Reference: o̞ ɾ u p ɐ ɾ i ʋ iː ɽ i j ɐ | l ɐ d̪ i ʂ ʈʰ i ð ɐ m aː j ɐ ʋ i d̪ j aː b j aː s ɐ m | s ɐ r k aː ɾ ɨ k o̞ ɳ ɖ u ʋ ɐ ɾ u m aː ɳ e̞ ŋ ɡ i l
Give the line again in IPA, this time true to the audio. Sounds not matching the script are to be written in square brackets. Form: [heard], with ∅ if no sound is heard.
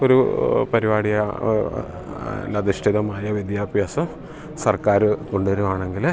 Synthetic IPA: o̞ ɾ u p ɐ ɾ i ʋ [aː] ɽ i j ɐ | l ɐ d̪ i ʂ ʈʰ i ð ɐ m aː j ɐ ʋ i d̪ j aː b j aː s ɐ m | s ɐ r k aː ɾ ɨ k o̞ ɳ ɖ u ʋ ɐ ɾ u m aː ɳ e̞ ŋ ɡ i l